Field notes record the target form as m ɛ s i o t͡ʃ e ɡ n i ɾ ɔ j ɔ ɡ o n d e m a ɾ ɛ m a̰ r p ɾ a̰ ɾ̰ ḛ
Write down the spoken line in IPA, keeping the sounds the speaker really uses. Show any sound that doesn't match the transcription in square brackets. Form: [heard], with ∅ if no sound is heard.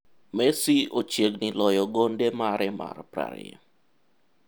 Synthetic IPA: m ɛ s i o t͡ʃ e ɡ n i [l] ɔ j ɔ ɡ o n d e m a ɾ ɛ m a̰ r p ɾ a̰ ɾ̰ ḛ